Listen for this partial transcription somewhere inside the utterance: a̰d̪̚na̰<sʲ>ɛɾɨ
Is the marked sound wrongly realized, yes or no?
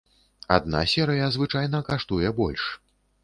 no